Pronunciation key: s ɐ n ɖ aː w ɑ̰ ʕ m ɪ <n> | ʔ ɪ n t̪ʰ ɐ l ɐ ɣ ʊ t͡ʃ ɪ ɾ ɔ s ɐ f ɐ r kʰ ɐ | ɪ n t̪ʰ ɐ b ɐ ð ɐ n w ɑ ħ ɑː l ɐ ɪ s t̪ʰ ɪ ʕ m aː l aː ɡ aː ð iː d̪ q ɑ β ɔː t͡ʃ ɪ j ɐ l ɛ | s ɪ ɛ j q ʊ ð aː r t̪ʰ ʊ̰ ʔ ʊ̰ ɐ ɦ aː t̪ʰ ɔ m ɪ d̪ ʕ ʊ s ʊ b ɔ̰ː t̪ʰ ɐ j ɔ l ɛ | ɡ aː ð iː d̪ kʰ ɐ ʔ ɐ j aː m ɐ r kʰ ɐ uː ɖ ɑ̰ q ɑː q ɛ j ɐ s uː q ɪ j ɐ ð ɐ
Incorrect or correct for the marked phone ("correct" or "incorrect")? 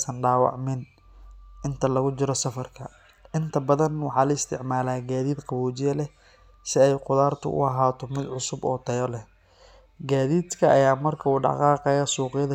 correct